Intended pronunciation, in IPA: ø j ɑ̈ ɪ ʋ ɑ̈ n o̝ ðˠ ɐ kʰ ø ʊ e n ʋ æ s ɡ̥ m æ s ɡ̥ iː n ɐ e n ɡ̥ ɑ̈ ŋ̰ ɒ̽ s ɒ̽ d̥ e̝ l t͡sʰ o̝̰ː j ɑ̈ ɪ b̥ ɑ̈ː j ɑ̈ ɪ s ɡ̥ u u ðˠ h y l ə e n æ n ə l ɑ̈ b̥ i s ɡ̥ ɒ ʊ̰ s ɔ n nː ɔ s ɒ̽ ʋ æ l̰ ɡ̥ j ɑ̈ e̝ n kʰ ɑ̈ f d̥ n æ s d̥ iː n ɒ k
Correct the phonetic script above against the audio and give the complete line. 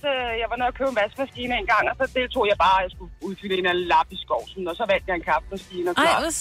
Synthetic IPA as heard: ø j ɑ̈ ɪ ʋ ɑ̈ n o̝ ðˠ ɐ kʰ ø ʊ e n ʋ æ s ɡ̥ m æ s ɡ̥ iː n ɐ e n ɡ̥ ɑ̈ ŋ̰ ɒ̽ s ɒ̽ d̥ e̝ l t͡sʰ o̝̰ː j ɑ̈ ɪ b̥ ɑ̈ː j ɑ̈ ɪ s ɡ̥ u u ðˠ f y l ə e n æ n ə l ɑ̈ b̥ i s ɡ̥ ɒ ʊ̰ s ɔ n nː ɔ s ɒ̽ ʋ æ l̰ d̥ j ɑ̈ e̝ n kʰ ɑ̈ f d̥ m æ s ɡ̥ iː n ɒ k